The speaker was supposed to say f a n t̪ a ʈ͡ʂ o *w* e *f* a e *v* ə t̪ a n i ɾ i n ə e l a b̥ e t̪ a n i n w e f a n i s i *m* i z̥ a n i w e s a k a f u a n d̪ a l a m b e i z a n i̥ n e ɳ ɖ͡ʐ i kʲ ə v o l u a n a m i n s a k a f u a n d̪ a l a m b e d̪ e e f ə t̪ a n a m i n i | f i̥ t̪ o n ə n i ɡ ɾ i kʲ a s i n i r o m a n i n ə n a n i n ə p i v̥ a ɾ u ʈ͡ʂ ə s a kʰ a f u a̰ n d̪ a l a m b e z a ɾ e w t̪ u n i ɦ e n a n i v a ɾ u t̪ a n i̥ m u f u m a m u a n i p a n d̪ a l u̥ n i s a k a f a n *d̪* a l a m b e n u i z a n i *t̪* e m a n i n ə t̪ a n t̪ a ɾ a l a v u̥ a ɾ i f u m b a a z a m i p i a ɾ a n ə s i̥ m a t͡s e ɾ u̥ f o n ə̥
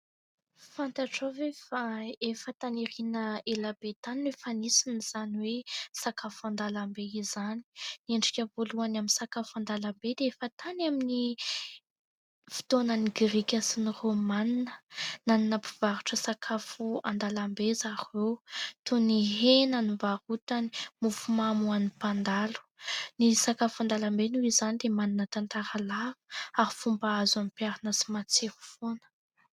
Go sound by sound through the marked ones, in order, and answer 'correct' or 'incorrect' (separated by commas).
incorrect, correct, incorrect, incorrect, correct, incorrect